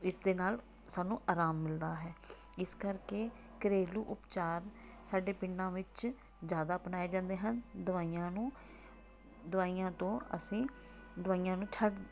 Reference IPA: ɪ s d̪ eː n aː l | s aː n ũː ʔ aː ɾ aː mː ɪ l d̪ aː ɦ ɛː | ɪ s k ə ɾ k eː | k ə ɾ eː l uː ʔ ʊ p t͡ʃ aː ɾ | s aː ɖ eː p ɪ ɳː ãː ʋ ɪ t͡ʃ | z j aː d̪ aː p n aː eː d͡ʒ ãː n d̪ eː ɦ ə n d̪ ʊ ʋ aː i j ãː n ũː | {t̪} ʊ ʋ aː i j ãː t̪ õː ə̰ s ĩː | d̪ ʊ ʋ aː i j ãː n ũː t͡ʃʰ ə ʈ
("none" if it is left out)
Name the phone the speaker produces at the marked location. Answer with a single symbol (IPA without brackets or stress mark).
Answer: d̪